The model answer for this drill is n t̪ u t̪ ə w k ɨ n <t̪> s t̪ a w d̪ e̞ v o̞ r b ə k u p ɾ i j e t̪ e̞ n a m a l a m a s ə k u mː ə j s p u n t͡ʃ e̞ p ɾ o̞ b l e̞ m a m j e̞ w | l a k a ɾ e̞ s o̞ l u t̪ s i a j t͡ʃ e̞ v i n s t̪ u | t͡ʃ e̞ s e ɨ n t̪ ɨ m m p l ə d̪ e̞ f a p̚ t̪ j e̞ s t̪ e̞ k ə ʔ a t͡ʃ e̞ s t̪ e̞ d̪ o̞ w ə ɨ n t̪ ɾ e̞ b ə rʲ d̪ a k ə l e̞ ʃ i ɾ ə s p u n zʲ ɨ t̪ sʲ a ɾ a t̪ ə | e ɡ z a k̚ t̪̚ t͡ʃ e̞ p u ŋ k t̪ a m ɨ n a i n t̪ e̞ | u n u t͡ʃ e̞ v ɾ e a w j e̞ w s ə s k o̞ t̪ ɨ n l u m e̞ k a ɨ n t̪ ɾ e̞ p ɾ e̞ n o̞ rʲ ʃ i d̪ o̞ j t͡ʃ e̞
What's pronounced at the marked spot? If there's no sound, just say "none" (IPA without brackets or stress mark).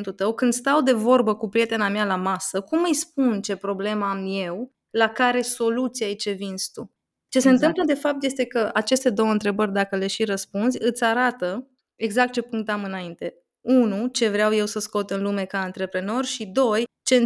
d̪